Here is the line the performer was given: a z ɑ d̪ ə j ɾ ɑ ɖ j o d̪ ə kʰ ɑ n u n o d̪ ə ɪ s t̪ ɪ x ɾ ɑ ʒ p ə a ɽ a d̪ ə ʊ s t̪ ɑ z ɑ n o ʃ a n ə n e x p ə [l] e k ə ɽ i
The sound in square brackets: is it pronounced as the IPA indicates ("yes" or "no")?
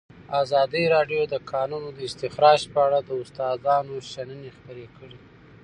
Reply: no